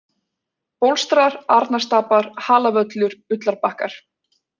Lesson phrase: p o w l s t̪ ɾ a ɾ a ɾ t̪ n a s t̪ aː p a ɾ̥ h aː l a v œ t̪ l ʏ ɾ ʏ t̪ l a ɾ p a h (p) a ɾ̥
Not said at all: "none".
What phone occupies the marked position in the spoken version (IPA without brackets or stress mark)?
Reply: k